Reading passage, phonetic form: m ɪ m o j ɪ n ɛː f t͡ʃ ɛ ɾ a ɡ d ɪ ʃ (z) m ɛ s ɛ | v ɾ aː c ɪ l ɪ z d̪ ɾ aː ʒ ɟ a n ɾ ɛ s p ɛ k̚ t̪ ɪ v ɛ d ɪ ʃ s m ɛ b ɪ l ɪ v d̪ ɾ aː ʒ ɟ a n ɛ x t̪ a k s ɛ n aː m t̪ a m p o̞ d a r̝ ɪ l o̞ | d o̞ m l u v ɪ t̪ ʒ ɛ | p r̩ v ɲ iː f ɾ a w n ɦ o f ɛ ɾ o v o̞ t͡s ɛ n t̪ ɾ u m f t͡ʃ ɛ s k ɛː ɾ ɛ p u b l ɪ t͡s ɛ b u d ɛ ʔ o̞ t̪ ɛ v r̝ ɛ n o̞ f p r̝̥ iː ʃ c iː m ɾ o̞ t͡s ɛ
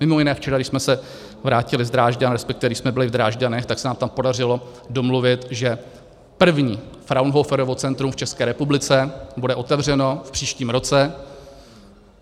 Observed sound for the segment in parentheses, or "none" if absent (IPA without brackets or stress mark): s